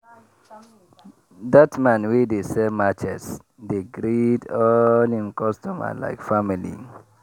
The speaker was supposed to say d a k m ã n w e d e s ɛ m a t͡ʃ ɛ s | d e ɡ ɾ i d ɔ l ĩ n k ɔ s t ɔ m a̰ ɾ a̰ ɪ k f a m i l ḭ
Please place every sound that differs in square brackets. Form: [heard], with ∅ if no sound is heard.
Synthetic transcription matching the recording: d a [t] m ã n w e d e s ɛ m a t͡ʃ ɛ s | d e ɡ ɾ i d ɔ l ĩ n k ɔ s t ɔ m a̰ [l] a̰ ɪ k f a m i l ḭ